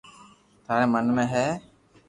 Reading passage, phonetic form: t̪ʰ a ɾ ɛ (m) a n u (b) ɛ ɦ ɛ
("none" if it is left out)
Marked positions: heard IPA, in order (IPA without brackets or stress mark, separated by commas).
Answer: m, m